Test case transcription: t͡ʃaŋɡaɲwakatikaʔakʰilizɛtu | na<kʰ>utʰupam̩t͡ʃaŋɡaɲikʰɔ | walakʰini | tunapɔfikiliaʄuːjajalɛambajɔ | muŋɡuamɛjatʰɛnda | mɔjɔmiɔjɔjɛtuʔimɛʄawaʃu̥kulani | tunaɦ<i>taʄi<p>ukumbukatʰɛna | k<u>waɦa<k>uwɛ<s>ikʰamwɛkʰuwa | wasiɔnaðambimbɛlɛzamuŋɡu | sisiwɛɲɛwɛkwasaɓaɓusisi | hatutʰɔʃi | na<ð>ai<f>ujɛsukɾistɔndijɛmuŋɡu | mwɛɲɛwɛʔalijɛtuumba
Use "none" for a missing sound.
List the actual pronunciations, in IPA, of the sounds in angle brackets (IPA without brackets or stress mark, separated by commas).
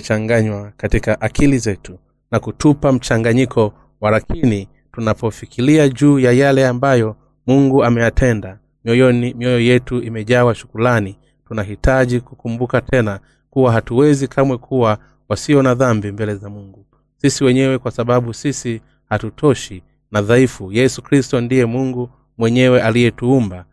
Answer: k, i, k, u, t, z, ð, f